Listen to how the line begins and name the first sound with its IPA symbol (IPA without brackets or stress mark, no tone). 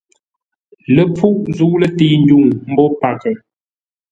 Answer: l